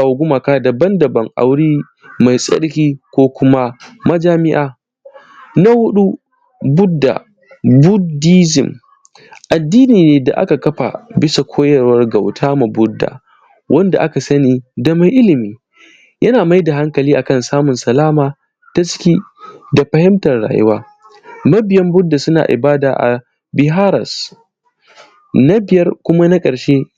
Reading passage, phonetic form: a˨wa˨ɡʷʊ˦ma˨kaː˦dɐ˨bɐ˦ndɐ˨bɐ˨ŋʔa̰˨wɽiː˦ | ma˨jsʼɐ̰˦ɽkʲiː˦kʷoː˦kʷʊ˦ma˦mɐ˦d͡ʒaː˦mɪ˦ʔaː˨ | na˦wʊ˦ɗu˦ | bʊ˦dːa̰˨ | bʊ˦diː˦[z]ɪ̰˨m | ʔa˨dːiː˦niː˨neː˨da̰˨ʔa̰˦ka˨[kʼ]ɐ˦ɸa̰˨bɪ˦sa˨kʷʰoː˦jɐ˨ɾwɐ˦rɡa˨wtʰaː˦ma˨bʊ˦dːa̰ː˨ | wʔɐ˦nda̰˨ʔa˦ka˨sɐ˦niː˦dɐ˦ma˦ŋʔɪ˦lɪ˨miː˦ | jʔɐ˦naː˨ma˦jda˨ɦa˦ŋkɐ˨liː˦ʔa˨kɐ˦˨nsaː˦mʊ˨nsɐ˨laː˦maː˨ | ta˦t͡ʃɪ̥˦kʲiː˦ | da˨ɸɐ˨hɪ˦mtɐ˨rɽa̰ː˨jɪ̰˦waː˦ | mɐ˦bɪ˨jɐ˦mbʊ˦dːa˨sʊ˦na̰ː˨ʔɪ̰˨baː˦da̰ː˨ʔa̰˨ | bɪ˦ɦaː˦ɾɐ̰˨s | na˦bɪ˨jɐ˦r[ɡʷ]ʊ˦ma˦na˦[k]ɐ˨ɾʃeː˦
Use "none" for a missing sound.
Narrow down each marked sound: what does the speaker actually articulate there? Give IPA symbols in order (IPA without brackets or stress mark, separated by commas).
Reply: z, k, kʷ, kʼ